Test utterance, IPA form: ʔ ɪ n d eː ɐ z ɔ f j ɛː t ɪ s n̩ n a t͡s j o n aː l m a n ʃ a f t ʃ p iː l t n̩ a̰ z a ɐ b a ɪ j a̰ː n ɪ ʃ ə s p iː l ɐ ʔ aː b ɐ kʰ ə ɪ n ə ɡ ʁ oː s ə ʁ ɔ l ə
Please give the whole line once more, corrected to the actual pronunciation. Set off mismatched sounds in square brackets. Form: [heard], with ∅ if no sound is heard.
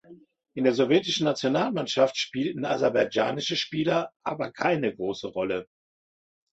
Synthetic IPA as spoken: ʔ ɪ n d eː ɐ z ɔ [v] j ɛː t ɪ [ʃ] n̩ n a t͡s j o n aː l m a n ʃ a f t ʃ p iː l t n̩ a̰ z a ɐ b a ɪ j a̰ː n ɪ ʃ ə [ʃ] p iː l ɐ ʔ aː b ɐ kʰ [a] ɪ n ə ɡ ʁ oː s ə ʁ ɔ l ə